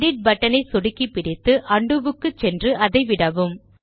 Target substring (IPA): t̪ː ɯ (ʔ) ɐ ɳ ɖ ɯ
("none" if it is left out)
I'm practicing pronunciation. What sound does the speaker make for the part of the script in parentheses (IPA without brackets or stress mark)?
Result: ʔ